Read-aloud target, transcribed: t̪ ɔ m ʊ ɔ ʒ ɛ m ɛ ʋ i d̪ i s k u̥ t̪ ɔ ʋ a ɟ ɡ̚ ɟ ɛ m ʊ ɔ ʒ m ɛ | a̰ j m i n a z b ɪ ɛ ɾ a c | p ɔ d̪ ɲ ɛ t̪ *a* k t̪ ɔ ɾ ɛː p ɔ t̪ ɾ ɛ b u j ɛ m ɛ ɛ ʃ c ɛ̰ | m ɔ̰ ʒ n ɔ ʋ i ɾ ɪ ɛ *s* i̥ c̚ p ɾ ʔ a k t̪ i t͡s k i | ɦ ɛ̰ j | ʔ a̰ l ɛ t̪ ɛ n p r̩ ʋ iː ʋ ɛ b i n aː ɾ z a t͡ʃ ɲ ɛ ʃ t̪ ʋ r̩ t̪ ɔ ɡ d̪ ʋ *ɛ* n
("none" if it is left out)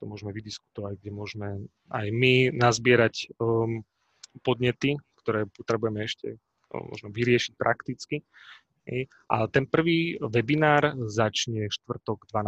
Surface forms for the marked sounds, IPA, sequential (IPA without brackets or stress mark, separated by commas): i, ʃ, a